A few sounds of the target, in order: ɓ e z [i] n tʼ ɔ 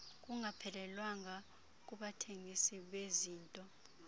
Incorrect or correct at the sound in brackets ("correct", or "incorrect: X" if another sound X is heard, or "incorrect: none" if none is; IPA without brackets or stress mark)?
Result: incorrect: iː